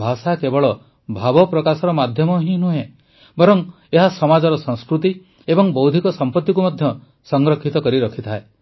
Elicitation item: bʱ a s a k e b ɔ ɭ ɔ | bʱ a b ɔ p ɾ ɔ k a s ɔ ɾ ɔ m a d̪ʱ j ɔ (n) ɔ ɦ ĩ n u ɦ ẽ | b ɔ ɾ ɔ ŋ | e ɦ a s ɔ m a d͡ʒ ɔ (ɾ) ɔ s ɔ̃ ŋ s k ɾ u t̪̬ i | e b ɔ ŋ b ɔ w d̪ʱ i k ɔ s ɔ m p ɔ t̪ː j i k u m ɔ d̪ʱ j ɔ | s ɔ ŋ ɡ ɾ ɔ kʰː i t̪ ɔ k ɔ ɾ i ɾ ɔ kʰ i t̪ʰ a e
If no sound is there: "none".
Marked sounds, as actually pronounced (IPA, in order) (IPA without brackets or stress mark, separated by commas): m, ɾ